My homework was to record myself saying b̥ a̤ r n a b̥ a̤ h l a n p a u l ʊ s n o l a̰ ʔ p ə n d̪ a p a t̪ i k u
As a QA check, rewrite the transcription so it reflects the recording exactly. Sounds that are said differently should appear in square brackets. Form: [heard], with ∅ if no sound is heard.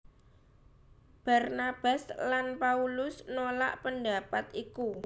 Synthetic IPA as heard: b̥ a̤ r n a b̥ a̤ [s] l a n p a u l ʊ s n o l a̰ ʔ p ə n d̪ a p a t̪ i k u